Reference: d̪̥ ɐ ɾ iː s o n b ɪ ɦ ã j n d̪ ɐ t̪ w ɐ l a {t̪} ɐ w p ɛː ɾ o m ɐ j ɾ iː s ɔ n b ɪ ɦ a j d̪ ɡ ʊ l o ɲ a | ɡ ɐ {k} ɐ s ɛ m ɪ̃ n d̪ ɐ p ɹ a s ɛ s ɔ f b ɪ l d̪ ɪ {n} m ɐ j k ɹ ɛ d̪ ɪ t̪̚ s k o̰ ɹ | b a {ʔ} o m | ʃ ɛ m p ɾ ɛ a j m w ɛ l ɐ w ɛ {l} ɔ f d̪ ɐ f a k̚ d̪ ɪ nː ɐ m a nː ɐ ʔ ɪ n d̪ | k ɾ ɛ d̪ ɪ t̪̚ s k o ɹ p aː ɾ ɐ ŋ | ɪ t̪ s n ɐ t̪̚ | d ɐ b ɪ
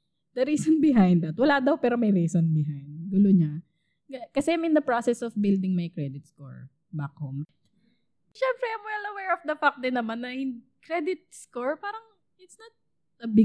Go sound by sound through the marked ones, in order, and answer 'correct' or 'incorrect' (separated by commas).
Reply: incorrect, correct, incorrect, incorrect, incorrect